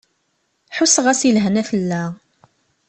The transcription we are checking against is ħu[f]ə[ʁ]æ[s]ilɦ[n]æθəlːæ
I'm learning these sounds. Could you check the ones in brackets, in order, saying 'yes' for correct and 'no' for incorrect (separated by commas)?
no, yes, yes, yes